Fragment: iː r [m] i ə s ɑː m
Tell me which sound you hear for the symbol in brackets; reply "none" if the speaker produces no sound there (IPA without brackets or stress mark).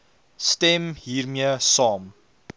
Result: m